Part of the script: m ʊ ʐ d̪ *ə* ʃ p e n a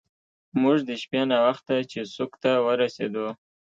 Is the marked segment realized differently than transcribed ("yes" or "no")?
no